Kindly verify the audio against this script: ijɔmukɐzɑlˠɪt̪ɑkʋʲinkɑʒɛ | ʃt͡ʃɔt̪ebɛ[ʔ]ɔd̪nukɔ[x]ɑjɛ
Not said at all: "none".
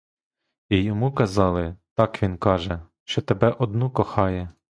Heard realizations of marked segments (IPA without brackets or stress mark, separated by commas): ʔ, x